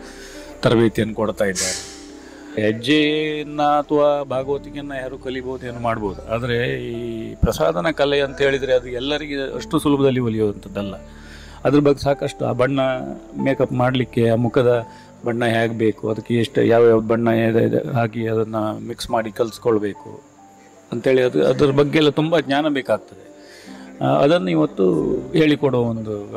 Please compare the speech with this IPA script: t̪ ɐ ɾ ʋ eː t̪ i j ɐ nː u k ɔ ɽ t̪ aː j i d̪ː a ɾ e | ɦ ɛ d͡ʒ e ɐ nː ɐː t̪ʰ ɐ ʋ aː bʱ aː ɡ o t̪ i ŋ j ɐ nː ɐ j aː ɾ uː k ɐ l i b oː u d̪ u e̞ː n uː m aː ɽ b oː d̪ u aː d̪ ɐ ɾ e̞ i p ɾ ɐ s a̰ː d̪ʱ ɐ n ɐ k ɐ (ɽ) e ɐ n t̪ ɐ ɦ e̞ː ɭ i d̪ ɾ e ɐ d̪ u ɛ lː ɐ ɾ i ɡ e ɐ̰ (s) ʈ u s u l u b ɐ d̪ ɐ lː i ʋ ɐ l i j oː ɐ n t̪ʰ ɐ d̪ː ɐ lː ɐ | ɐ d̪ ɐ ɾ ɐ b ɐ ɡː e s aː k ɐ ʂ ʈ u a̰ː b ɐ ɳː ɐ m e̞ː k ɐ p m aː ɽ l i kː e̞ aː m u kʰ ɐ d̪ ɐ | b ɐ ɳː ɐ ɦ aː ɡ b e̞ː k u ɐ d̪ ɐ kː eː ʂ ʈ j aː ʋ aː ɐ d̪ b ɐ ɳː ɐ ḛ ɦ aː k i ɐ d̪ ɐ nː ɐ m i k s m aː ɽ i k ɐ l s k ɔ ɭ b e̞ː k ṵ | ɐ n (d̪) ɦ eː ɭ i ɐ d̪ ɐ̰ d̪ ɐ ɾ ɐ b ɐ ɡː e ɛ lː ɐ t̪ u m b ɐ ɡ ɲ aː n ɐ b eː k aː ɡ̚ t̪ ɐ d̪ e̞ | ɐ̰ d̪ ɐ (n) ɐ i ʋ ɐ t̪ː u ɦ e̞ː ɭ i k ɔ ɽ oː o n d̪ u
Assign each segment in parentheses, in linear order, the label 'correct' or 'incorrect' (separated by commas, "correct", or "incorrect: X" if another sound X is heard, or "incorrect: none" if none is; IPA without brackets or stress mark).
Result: incorrect: l, incorrect: ʂ, incorrect: t̪, incorrect: nː